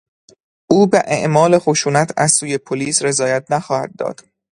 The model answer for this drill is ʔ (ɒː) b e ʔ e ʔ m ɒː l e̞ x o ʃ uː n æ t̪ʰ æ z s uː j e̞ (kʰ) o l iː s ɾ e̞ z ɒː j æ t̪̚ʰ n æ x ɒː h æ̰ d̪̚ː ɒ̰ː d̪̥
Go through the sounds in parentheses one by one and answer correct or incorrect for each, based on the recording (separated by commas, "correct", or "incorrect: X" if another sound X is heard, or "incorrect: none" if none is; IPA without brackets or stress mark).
incorrect: uː, incorrect: pʰ